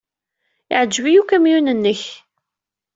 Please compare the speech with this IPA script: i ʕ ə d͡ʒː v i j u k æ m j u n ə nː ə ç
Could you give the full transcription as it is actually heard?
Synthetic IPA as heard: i ʕ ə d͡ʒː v i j u k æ m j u n ə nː ə ç